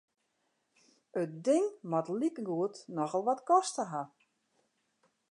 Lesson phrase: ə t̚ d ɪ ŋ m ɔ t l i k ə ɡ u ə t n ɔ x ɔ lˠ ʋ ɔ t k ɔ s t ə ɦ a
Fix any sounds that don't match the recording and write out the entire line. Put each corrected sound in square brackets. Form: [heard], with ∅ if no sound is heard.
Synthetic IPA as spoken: ə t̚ d ɪ ŋ m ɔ t l i k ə ɡ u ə t n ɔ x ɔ lˠ ʋ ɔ t k ɔ s t ə ɦ a

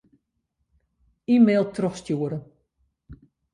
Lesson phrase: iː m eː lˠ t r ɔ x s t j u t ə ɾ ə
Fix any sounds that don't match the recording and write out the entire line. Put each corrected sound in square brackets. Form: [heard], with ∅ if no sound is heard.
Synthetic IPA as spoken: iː m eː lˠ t r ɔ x s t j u [∅] ə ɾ ə

